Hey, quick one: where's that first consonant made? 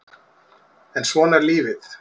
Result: tongue tip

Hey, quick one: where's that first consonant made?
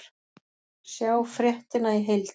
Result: tongue tip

